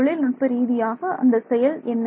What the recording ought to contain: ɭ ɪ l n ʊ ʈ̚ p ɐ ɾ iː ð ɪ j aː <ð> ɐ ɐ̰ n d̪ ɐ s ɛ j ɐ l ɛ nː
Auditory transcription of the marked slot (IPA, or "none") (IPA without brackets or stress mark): ɣ